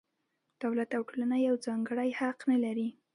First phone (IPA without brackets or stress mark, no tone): d̪̥